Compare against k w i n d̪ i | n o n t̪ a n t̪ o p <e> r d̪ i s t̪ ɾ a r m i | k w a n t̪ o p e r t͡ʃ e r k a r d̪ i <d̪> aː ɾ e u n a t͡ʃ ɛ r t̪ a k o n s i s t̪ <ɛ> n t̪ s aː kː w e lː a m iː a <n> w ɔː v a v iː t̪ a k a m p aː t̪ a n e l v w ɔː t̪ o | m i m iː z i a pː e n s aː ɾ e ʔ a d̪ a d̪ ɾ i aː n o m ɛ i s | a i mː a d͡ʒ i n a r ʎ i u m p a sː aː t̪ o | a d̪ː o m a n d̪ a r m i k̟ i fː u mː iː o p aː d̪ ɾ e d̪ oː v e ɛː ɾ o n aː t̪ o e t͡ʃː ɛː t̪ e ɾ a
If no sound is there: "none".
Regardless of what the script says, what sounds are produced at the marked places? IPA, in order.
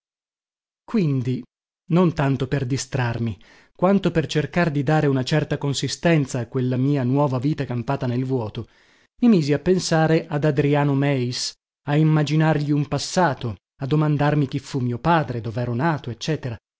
e, d̪, ɛ, n

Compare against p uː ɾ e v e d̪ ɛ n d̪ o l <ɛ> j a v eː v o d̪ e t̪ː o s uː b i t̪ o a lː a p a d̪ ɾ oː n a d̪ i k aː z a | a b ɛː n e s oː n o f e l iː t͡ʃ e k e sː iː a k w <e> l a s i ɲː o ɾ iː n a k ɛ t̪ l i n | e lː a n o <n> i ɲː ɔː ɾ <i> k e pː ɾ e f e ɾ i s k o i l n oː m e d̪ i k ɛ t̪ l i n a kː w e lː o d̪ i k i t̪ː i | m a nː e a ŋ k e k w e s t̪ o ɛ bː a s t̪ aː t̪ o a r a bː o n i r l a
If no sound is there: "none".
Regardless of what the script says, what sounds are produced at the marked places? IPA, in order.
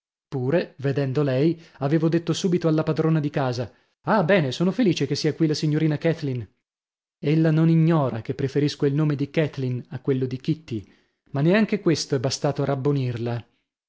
ɛ, i, n, a

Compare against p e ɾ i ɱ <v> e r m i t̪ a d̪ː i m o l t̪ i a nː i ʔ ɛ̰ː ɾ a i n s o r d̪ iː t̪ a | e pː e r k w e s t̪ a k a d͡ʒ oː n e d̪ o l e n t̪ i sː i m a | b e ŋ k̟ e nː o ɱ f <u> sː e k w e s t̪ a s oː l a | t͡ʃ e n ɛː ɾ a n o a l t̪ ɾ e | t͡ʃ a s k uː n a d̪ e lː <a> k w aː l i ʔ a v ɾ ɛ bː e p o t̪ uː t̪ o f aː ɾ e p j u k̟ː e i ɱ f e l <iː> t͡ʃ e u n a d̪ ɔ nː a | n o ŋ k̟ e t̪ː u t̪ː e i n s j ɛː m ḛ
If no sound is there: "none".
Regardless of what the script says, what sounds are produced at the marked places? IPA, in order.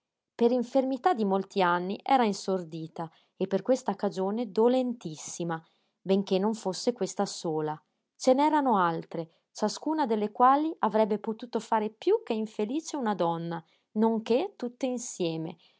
f, o, e, iː

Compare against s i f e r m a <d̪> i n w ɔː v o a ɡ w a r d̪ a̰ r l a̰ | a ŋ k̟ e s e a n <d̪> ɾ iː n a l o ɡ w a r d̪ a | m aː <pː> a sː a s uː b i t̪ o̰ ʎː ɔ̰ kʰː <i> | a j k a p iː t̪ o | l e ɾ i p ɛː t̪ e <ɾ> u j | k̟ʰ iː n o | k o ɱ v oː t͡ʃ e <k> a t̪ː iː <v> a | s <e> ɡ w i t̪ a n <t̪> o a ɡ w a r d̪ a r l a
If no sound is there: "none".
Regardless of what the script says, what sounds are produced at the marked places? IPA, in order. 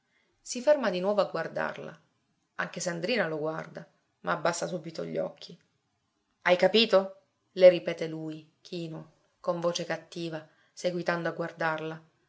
d̪, d̪, bː, i, l, k, v, e, d̪

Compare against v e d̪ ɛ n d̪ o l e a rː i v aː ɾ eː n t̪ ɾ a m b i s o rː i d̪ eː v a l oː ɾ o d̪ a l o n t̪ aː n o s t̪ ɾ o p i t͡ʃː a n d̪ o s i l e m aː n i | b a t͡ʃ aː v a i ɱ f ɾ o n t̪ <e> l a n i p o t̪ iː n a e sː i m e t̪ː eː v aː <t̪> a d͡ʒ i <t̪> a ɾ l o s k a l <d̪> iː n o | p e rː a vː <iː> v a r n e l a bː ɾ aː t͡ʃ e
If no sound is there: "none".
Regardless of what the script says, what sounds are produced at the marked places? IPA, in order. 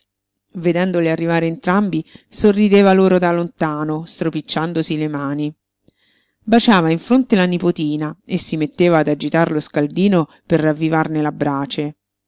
e, d̪, t̪, d̪, i

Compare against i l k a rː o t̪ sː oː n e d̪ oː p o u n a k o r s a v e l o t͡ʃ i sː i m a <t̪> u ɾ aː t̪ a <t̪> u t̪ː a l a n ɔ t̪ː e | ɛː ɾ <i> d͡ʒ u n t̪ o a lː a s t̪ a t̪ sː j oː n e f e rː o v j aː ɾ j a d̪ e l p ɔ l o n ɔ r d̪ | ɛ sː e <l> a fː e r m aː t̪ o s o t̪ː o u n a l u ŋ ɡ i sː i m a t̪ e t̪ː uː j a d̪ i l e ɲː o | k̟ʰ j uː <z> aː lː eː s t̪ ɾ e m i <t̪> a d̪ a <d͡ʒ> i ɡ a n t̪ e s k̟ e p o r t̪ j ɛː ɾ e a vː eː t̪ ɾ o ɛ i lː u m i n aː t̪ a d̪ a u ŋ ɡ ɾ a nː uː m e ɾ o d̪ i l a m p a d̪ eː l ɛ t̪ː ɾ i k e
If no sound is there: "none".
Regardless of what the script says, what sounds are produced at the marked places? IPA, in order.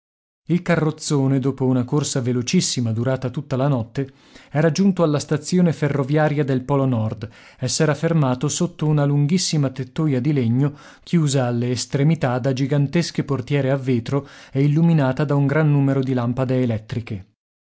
d̪, t̪, a, ɾ, z, t̪, d͡ʒ

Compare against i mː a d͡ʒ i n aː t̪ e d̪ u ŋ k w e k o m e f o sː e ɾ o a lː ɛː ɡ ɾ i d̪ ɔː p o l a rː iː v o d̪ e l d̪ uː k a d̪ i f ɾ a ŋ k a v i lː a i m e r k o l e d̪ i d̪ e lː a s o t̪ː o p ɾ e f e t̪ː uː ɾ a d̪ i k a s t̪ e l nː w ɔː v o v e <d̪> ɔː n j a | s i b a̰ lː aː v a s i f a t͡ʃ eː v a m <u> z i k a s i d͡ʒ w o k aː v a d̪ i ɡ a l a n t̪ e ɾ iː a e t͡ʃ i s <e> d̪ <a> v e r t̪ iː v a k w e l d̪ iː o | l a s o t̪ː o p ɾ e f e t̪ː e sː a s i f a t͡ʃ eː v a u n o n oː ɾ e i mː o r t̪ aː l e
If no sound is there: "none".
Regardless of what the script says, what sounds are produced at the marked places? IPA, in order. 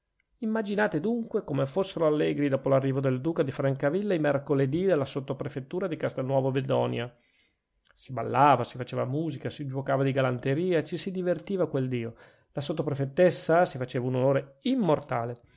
d̪, uː, i, i

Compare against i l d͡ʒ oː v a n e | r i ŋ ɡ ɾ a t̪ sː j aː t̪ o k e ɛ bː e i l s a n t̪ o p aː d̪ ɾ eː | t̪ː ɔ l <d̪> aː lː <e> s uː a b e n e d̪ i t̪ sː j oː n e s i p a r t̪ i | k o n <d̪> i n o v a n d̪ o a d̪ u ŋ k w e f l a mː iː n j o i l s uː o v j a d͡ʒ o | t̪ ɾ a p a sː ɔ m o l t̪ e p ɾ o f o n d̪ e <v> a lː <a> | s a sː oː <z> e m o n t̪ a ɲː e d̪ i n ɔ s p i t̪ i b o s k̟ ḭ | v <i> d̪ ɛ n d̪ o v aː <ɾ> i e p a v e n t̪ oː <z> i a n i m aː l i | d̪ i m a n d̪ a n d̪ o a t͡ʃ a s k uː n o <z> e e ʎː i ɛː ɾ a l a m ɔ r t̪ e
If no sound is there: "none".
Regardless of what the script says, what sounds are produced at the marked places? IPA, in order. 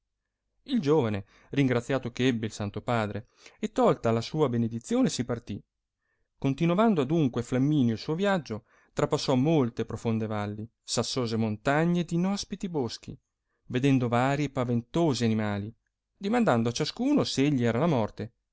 t̪, a, t̪, v, i, z, e, ɾ, z, s

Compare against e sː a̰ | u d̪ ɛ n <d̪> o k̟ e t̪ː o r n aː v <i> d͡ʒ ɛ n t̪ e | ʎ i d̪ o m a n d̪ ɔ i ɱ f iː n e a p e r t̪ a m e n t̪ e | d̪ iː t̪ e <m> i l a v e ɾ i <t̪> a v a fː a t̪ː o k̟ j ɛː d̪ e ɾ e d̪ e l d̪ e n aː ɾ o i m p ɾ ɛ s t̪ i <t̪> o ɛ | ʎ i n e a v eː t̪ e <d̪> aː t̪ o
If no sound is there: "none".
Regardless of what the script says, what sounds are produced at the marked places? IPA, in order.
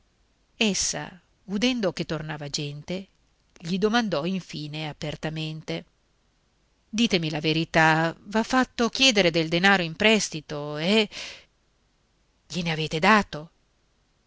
d̪, a, m, t̪, t̪, d̪

